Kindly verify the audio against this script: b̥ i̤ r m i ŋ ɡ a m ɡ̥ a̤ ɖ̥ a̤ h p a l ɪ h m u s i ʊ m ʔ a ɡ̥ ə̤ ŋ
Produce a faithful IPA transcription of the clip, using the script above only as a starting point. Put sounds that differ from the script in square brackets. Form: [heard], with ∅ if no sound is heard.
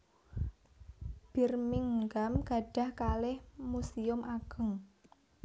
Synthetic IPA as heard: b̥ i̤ r m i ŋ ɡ a m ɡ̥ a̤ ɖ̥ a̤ h [k] a l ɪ h m u s i ʊ m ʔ a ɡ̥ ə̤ ŋ

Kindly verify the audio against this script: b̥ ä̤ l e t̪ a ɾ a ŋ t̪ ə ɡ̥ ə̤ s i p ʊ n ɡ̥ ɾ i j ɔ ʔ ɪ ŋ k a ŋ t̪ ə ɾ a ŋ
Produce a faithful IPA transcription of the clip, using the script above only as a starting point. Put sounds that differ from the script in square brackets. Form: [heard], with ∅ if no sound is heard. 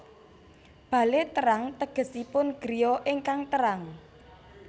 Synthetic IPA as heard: b̥ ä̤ l e t̪ [ə] ɾ a ŋ t̪ ə ɡ̥ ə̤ s i p ʊ n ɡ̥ ɾ i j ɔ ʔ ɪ ŋ k a ŋ t̪ ə ɾ a ŋ

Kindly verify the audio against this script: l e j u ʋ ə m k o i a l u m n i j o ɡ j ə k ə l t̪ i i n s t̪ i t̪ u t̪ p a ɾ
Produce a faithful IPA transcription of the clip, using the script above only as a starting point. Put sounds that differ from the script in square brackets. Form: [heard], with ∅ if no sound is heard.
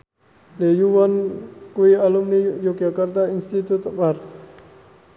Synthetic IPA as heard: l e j u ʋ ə [n] k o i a l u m n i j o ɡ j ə k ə [ɾ] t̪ [a] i n s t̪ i t̪ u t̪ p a ɾ

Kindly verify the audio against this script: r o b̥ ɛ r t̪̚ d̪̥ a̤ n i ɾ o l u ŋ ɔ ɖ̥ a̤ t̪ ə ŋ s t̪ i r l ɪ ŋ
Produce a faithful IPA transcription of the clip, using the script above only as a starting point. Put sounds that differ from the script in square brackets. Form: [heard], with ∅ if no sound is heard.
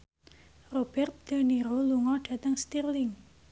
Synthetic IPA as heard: r o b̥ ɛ r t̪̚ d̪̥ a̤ n i ɾ o l u ŋ ɔ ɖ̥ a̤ t̪ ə ŋ s t̪ i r l ɪ ŋ

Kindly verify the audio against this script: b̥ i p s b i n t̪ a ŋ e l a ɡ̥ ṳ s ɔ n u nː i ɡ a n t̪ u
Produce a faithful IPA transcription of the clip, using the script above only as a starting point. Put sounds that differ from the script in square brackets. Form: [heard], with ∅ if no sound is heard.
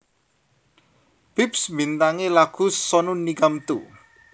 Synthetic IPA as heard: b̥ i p s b i n t̪ a ŋ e l a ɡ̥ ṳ s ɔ n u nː i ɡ a [m] t̪ u

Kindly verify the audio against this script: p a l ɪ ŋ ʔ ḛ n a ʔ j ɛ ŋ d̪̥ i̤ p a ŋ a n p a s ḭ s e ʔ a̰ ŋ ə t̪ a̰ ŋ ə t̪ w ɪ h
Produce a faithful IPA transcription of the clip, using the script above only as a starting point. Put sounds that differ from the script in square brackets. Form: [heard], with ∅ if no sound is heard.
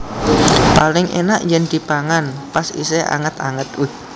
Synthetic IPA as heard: p a l ɪ ŋ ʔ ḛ n a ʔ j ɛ [n] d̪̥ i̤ p a ŋ a n p a s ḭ s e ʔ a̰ ŋ ə t̪ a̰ ŋ ə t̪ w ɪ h

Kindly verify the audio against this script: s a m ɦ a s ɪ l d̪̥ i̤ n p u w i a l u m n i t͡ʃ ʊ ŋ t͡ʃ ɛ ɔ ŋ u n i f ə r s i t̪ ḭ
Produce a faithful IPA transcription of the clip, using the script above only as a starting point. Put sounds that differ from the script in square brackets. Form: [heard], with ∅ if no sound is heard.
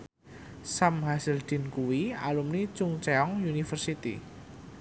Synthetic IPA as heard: s a m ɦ a s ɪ l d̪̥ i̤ n [k] u w i a l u m n i t͡ʃ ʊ ŋ t͡ʃ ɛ ɔ ŋ u n i f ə r s i t̪ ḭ

